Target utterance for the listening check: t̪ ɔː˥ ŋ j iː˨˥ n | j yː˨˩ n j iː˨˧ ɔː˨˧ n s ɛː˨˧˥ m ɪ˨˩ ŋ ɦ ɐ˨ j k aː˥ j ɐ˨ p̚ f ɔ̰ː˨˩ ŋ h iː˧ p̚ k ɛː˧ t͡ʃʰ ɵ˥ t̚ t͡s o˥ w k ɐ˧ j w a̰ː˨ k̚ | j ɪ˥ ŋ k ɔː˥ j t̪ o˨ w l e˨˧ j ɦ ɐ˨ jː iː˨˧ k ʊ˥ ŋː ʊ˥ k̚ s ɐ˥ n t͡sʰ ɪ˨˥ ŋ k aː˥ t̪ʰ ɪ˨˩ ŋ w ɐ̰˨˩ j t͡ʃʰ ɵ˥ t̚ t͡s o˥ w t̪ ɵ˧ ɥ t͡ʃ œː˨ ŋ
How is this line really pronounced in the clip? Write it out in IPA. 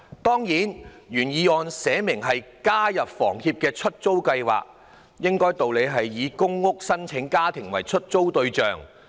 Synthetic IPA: t̪ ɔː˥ ŋ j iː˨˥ n | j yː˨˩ n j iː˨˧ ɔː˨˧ n s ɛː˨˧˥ m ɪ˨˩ ŋ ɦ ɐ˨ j k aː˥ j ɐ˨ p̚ f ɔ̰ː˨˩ ŋ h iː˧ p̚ k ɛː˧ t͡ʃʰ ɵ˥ t̚ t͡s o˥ w k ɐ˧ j w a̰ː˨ k̚ | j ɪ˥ ŋ k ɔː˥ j t̪ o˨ w l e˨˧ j ɦ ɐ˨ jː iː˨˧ k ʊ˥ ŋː ʊ˥ k̚ s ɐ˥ n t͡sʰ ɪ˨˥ ŋ k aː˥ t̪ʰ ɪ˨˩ ŋ w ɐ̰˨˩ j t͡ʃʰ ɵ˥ t̚ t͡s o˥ w t̪ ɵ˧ ɥ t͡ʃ œː˨ ŋ